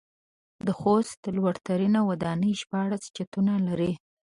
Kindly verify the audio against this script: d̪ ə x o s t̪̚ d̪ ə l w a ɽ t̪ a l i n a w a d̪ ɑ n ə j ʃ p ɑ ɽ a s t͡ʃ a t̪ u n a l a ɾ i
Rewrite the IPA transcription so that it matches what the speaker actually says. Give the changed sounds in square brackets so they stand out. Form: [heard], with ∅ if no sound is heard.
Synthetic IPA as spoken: d̪ ə x o s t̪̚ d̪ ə l w a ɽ t̪ a [ɾ] i n a w a d̪ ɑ n ə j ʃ p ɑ ɽ a s t͡ʃ a t̪ u n a l a ɾ i

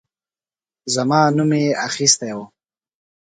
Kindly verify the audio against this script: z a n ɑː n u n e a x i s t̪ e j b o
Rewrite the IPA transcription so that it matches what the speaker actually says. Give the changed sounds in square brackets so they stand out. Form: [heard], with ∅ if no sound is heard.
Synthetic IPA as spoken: z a [m] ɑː n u [m] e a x i s t̪ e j [w] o

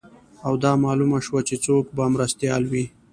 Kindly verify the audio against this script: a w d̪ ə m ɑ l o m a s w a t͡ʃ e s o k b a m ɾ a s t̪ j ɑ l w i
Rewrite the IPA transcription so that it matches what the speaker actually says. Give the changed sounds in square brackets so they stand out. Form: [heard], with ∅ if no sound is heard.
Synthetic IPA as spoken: a w d̪ [ɑ] m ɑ l [u] m a [ʃ] w a t͡ʃ e [t͡s] o k b a m ɾ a s t̪ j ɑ l w i

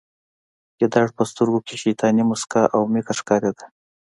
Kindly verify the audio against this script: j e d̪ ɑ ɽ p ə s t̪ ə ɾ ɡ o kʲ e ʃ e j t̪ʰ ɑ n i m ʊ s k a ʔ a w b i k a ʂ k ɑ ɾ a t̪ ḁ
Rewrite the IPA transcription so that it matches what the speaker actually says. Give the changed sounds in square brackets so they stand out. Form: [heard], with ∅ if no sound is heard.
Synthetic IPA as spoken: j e d̪ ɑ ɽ p ə s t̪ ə ɾ ɡ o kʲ e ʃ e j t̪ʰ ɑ n i m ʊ s k a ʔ a w [m] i k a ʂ k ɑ ɾ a [d̪] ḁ

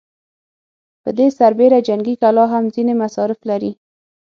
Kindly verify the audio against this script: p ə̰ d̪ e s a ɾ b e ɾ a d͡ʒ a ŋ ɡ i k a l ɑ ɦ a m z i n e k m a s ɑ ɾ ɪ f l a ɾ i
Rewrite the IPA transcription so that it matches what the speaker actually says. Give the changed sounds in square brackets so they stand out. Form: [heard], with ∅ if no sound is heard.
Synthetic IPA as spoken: p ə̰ d̪ e s a ɾ b e ɾ a d͡ʒ a ŋ ɡ i k a l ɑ ɦ a m z i n e [∅] m a s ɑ ɾ ɪ f l a ɾ i

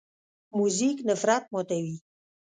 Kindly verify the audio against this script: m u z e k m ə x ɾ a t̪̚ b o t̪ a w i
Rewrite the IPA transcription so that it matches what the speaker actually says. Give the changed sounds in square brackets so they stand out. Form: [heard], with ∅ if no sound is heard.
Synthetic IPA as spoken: m u z [i] k [n] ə [f] ɾ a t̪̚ [m] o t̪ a w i

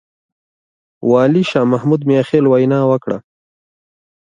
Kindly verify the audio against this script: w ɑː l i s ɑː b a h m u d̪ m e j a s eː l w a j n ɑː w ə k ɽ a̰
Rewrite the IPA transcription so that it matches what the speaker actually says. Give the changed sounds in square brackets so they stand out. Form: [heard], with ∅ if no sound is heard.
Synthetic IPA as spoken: w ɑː l i [ʃ] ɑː [m] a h m u d̪ m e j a [x] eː l w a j n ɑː w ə k ɽ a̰

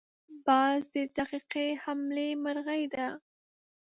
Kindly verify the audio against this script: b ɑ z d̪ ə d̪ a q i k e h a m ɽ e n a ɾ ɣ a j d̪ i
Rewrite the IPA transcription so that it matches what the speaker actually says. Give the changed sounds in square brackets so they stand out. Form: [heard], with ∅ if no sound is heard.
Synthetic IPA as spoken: b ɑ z d̪ ə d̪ a q i [q] e h a m [l] e [m] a ɾ ɣ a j d̪ [a]

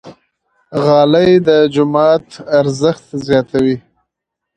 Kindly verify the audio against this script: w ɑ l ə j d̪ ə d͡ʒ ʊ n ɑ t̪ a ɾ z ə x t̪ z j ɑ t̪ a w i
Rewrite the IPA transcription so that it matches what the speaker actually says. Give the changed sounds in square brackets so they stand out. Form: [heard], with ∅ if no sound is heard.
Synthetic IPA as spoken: [ɣ] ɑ l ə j d̪ ə d͡ʒ ʊ [m] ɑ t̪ a ɾ z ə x t̪ z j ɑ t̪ a w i

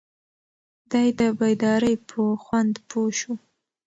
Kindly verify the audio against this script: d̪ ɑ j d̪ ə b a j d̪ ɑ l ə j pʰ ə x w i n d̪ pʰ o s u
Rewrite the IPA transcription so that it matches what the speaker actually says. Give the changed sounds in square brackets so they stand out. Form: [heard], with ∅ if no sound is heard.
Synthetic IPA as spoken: d̪ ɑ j d̪ ə b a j d̪ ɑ [ɾ] ə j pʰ ə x w [a] n d̪ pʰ o [ʃ] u

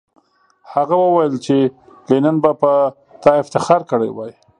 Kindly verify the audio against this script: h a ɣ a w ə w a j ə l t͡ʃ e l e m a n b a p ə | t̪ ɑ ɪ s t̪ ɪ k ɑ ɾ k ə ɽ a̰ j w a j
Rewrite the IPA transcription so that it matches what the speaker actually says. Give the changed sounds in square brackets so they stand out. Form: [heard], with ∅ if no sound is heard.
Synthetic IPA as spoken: h a ɣ a w ə w a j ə l t͡ʃ e l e [n] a n b a p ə | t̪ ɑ ɪ [f] t̪ ɪ [x] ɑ ɾ k ə ɽ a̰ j w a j

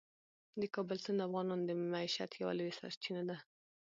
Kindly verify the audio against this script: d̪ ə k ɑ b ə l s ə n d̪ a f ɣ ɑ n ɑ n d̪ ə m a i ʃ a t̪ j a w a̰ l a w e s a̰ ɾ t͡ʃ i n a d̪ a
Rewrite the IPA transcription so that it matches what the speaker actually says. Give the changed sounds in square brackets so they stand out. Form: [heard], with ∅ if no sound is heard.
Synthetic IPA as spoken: d̪ ə k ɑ b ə l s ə n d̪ a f ɣ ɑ n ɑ n d̪ ə m a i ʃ a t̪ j a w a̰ l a w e s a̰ ɾ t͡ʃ i n a d̪ a

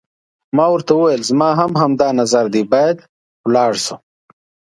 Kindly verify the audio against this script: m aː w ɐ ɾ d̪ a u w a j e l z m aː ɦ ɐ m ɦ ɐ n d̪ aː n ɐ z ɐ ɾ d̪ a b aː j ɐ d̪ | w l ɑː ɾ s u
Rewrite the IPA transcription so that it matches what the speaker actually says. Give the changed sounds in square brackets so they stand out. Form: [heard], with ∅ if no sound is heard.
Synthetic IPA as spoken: m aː w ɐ ɾ [t̪] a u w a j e l z m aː ɦ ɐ m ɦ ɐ [m] d̪ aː n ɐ z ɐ ɾ d̪ [i] b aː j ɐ d̪ | w l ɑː [ɽ] s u

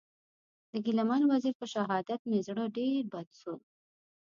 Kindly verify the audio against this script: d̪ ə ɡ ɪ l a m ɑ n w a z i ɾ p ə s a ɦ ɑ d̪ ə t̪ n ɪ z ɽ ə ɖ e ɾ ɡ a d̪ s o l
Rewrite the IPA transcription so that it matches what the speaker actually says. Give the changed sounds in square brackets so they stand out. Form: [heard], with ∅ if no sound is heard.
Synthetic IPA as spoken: d̪ ə ɡ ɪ l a m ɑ n w a z i ɾ p ə [ʃ] a ɦ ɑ d̪ [a] t̪ n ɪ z ɽ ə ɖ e ɾ [b] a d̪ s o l

